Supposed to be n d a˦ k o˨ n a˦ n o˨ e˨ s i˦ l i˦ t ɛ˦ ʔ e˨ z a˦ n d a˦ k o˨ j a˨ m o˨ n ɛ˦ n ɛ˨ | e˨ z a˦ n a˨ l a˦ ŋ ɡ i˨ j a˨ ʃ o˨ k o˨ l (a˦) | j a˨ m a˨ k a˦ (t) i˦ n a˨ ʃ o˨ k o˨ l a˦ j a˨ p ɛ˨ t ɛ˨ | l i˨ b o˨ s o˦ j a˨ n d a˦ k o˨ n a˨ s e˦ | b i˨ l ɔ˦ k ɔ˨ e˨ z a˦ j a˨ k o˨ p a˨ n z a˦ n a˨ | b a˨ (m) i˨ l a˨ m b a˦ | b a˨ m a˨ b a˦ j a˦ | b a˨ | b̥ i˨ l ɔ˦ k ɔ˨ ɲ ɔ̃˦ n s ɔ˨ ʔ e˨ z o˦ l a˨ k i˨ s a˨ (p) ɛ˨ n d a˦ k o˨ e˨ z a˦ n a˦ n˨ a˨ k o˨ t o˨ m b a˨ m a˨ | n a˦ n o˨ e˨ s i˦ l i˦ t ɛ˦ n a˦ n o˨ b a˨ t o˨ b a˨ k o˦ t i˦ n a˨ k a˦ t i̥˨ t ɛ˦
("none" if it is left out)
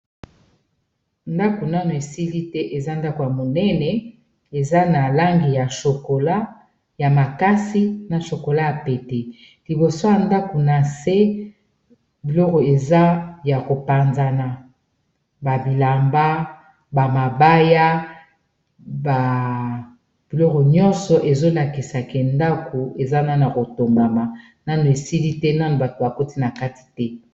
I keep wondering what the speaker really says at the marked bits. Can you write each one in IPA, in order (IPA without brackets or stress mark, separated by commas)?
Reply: a˦, s, b, k